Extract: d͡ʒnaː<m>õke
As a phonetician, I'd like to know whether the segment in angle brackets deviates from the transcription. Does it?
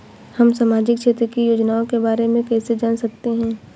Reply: yes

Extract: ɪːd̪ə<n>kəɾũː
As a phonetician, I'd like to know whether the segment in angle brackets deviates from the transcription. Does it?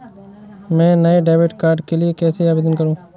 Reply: no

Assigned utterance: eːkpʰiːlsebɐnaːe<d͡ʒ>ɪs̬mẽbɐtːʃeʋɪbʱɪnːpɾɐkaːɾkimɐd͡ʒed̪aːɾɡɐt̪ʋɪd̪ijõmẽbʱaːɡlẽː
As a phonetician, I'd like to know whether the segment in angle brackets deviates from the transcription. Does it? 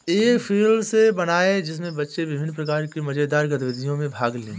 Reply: no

